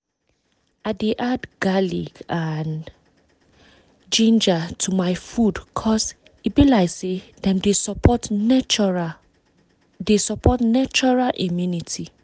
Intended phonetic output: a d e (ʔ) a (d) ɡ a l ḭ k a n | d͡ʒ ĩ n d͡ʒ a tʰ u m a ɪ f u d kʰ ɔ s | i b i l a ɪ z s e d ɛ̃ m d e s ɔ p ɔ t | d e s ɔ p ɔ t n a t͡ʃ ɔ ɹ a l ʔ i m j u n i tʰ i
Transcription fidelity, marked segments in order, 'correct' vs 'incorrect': correct, correct

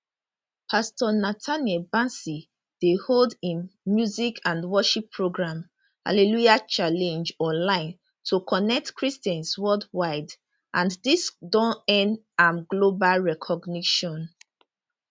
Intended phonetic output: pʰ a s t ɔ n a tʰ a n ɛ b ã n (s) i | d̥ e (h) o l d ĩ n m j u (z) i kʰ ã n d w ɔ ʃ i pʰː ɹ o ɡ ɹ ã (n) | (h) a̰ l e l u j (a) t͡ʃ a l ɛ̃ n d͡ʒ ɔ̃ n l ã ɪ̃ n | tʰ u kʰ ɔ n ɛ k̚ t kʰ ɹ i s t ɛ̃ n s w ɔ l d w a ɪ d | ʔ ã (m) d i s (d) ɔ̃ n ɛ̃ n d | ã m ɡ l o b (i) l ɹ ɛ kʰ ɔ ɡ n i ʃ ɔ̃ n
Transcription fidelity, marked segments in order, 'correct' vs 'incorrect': correct, correct, correct, incorrect, correct, correct, incorrect, correct, incorrect

